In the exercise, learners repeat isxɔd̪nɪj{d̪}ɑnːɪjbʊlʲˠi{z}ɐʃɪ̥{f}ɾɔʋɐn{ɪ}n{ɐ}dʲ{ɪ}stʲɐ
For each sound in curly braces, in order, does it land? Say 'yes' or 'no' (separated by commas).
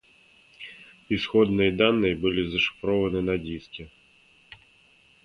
yes, yes, yes, yes, yes, no